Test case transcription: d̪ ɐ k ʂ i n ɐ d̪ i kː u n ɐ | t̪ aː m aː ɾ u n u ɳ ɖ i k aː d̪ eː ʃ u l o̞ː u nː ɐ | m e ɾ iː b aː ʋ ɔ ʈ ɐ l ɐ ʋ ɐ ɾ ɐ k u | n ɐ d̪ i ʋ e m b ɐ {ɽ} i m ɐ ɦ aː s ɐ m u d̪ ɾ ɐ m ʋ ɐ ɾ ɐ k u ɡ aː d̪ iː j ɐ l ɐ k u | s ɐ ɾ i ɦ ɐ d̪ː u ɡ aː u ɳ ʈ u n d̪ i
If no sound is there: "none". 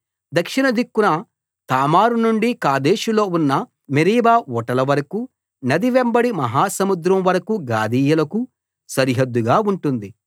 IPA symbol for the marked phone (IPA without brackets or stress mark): ɽ